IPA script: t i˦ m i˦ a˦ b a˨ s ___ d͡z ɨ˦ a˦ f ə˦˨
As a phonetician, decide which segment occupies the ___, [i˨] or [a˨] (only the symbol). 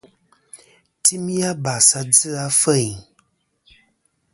a˨